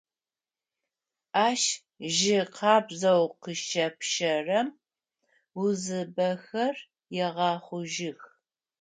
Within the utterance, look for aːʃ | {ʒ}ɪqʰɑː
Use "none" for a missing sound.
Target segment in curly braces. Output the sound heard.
ʒ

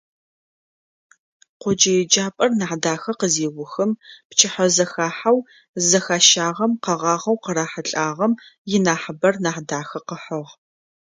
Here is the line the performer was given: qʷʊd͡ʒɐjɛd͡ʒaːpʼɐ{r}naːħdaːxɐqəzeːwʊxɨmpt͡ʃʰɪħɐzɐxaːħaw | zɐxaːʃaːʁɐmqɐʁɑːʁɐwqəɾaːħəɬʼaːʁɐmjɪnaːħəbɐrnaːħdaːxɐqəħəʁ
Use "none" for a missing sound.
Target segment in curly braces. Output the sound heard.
r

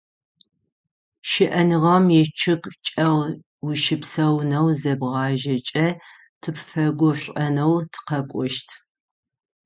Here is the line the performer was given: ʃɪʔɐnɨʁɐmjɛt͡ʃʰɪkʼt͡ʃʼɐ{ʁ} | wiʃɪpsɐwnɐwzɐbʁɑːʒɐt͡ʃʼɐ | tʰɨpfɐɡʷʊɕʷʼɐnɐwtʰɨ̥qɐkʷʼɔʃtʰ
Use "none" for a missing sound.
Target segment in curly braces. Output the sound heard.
ʁ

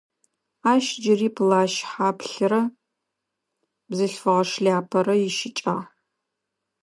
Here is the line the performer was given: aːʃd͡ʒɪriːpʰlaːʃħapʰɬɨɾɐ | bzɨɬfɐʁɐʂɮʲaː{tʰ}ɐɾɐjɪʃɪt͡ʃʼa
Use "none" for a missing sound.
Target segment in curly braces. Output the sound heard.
pʰ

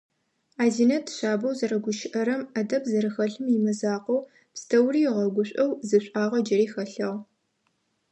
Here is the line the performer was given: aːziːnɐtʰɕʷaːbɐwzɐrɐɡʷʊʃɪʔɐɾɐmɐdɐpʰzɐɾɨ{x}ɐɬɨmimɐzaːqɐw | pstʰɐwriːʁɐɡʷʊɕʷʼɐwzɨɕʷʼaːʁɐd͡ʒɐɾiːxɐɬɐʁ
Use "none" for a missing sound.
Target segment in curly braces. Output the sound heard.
x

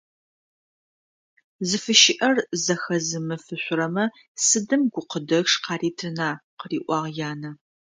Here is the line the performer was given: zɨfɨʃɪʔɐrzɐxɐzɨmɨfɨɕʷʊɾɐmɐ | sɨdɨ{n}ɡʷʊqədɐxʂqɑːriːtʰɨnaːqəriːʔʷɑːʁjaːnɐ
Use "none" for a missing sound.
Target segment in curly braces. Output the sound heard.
m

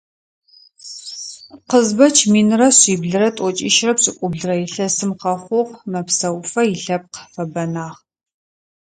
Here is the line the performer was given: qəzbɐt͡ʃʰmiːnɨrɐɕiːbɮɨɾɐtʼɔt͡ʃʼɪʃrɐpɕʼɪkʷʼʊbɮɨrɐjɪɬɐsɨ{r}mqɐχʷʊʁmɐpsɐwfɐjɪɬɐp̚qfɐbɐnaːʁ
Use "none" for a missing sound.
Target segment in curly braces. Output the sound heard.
none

